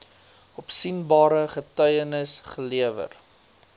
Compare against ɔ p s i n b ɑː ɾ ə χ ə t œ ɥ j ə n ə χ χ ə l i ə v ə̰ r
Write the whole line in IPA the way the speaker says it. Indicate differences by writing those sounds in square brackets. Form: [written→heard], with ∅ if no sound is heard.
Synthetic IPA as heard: ɔ p s i n b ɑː ɾ ə χ ə t œ ɥ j ə n ə [χ→s] χ ə l i ə v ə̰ r